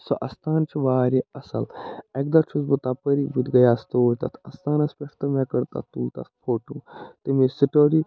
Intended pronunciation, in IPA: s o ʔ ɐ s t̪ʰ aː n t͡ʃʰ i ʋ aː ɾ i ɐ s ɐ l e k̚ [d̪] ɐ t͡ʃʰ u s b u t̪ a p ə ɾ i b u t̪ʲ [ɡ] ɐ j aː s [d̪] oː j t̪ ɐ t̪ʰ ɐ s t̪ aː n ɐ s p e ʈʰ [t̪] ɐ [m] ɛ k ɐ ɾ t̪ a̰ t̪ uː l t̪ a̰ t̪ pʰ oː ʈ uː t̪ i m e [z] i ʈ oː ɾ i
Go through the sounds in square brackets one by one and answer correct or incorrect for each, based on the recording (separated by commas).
correct, correct, incorrect, correct, correct, incorrect